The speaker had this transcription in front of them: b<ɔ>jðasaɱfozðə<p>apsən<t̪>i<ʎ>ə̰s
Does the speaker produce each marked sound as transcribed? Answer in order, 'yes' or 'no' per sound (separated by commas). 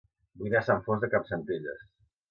no, no, yes, yes